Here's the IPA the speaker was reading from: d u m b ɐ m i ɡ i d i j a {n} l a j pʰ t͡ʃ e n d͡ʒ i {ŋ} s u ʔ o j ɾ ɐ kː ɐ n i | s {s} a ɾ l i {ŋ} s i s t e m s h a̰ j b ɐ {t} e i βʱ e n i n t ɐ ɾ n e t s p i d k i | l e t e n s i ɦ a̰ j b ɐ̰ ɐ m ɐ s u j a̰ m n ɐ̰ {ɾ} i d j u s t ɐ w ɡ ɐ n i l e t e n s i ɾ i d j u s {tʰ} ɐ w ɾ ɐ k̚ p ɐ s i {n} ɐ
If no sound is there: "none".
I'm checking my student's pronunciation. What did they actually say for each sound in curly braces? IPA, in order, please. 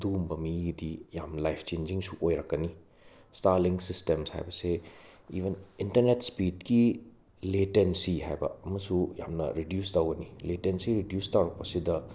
m, ŋ, t, ŋ, s, ɾ, t, d

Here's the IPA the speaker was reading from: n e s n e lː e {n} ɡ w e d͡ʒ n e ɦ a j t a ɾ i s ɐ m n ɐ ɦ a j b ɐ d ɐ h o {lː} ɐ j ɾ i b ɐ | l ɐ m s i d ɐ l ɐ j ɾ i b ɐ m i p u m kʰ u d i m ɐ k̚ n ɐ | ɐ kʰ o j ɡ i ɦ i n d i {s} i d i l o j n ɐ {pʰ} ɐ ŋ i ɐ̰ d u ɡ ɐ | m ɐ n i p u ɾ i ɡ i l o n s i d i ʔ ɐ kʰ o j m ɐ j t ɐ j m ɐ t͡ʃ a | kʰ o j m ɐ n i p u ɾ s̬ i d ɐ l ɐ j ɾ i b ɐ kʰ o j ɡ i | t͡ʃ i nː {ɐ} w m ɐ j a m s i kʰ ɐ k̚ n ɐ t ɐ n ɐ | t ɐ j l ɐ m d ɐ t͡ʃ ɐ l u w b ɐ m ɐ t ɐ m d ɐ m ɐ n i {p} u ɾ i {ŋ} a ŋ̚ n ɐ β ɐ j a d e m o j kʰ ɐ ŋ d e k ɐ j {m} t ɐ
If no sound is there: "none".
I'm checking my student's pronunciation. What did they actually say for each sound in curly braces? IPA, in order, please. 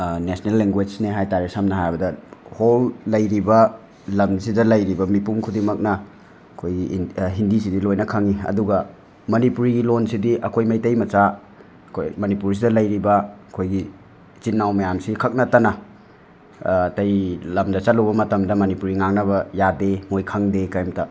ŋ, lː, s, kʰ, a, p, ŋ, m

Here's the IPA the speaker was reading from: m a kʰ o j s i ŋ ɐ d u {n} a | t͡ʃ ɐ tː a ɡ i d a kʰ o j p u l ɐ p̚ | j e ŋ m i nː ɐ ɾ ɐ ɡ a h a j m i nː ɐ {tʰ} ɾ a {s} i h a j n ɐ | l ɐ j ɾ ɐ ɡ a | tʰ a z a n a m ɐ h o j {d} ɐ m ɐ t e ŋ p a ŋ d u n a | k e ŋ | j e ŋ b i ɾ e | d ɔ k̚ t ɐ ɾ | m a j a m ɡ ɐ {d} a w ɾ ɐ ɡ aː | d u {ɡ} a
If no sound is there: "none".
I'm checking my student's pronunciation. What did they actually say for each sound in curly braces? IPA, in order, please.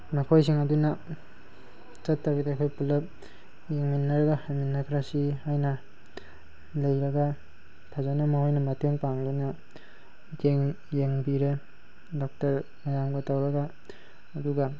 n, kʰ, s, n, t, ɡ

